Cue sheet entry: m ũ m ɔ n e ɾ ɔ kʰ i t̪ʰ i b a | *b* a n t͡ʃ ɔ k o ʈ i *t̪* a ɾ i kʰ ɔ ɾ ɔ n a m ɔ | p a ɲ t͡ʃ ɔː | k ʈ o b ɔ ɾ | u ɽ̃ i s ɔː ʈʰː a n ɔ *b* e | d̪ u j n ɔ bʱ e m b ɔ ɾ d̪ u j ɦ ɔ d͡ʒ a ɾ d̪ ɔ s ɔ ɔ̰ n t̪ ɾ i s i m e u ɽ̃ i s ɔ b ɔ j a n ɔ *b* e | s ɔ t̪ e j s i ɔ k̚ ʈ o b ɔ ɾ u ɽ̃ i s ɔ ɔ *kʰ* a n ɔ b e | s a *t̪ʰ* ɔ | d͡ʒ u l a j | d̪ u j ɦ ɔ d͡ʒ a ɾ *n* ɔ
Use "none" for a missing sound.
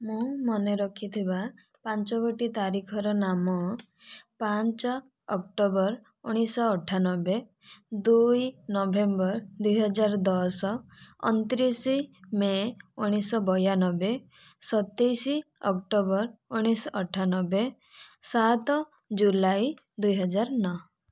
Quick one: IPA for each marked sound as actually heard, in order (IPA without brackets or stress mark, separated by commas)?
p, t̪, b, b, ʈʰ, t̪, n